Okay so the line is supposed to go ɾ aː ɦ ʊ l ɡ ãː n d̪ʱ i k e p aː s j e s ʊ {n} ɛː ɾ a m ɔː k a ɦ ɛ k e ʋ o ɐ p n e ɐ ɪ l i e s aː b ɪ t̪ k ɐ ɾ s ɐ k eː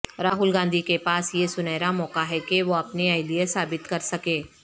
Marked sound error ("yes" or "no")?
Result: no